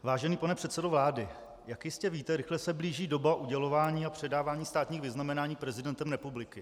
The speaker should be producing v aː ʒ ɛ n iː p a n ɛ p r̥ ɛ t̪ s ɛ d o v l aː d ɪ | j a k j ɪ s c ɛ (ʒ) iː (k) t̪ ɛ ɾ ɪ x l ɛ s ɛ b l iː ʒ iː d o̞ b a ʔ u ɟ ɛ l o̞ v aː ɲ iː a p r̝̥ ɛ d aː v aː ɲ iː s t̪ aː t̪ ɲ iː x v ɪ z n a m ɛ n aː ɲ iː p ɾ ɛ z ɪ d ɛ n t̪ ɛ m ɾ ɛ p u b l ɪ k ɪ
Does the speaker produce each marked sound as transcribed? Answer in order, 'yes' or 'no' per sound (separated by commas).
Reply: no, no